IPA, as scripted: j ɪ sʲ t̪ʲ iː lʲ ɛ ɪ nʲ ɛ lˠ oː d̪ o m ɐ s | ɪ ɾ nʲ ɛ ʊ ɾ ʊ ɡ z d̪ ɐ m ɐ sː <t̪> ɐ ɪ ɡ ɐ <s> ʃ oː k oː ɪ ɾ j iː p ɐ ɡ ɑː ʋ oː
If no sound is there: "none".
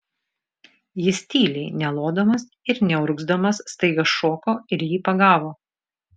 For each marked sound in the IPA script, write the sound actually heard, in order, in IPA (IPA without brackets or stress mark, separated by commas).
t̪, s